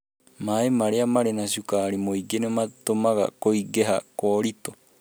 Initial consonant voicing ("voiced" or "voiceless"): voiced